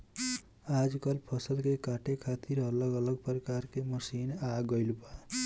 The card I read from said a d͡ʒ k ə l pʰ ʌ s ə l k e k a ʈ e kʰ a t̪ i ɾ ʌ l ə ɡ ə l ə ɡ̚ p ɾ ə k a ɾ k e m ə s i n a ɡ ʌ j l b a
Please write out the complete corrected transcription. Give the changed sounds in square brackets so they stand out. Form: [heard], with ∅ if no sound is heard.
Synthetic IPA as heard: a d͡ʒ k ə l pʰ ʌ s ə l k e k a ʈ e kʰ a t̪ i ɾ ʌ l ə ɡ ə l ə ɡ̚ p ɾ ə k a ɾ k e m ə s i n a ɡ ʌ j l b a